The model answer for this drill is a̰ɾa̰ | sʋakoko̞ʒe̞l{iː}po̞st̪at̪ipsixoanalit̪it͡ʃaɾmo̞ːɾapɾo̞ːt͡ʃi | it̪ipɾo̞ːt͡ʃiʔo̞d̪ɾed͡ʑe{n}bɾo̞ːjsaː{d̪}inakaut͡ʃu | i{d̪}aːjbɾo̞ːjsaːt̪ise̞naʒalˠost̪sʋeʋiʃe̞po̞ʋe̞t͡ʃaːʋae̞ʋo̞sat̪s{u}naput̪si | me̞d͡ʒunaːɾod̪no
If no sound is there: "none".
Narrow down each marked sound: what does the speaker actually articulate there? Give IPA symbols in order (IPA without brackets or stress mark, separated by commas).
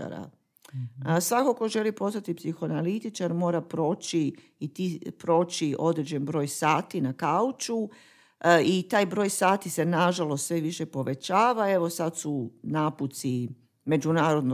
i, n, t̪, t̪, u